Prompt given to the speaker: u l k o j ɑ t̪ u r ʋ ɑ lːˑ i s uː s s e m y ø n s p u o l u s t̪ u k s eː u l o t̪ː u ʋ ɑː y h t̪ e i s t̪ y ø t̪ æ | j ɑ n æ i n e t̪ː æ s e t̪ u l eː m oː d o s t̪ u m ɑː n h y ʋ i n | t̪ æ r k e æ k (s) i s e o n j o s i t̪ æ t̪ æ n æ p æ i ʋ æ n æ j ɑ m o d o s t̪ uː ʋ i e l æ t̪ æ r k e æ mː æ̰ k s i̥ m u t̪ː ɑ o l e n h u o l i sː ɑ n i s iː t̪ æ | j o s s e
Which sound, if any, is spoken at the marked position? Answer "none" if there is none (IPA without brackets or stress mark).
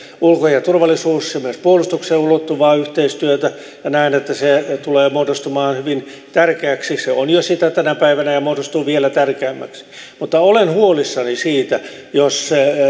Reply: s